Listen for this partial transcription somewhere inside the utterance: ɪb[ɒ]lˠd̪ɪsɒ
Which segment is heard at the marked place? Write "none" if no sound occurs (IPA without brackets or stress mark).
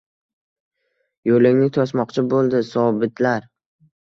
o